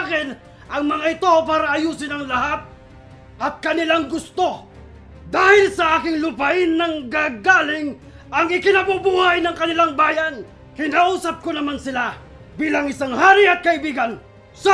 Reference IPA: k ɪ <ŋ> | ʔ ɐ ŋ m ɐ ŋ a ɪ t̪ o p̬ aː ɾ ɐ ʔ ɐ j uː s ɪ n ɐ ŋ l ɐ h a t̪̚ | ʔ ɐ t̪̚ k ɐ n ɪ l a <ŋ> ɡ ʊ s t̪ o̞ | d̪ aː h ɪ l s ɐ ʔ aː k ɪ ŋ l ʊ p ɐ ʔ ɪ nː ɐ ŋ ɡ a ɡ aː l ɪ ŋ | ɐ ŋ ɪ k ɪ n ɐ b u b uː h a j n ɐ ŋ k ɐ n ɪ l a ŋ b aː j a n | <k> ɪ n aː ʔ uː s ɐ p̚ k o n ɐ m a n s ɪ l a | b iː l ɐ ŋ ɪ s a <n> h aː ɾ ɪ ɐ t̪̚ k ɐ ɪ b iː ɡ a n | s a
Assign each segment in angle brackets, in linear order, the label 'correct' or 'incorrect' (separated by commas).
incorrect, correct, correct, incorrect